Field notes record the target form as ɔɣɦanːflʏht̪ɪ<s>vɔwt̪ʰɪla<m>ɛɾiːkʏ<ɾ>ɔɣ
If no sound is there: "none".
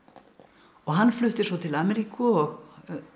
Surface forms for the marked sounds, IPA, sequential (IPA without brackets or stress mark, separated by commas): s, m, none